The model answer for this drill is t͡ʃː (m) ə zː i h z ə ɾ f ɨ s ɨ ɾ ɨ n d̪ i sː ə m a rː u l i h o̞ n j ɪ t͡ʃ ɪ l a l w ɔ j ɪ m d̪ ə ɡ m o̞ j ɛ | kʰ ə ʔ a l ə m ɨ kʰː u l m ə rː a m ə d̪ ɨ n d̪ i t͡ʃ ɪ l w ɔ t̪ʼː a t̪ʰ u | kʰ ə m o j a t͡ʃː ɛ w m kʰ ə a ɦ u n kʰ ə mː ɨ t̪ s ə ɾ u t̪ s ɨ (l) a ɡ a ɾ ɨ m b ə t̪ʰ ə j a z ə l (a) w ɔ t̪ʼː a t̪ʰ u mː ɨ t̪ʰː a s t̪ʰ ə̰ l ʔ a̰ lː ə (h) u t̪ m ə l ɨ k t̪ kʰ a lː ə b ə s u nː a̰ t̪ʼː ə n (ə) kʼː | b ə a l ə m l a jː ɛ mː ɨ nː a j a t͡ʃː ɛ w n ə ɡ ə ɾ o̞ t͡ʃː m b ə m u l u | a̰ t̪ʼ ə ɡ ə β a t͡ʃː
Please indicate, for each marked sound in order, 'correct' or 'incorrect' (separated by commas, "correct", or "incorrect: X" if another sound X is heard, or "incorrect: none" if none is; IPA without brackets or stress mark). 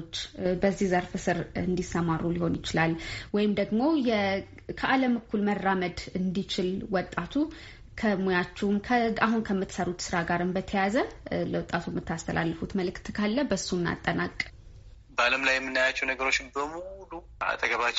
incorrect: b, incorrect: ɾ, incorrect: ə, incorrect: f, incorrect: a